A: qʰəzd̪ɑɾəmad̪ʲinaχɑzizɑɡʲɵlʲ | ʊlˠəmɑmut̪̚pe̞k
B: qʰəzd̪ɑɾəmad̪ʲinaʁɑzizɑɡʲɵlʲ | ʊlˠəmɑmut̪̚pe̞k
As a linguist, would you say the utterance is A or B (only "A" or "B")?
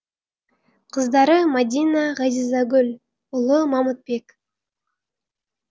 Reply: B